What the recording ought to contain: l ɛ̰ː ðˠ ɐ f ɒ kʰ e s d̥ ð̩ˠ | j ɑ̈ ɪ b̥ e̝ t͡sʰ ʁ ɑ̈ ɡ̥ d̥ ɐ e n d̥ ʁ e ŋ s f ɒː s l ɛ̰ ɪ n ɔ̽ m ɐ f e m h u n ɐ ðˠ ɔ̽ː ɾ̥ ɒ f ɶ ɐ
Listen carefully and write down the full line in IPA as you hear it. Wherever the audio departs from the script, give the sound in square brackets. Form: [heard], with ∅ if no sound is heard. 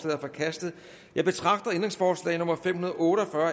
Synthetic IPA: l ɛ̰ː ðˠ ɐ f ɒ kʰ [æ] s d̥ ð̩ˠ | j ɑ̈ ɪ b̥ e̝ t͡sʰ ʁ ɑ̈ ɡ̥ d̥ ɐ e n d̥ ʁ e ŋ s f ɒː s l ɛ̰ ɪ n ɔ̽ m ɐ f e m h u n ɐ ðˠ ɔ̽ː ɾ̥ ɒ f ɶ ɐ